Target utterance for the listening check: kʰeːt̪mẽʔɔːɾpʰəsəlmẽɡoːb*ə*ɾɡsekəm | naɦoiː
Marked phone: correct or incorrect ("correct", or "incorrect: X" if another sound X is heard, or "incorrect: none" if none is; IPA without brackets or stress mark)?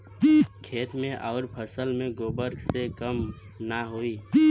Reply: correct